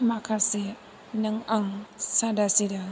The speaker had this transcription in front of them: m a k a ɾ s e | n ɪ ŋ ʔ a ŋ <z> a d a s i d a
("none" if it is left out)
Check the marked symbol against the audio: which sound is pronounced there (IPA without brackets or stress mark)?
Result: s